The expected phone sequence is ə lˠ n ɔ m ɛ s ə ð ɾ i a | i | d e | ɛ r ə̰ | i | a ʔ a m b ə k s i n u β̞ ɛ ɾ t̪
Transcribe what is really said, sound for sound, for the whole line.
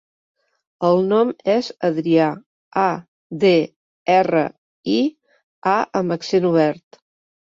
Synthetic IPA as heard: ə lˠ n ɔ m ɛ z ə ð ɾ i a | a | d e | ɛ r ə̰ | i | a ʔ ə m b ə k s e n u β̞ ɛ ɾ t̪